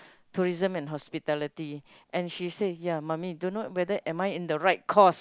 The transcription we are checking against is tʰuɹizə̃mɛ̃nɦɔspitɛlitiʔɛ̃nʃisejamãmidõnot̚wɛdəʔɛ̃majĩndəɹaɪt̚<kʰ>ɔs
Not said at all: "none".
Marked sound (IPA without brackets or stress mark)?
kʰ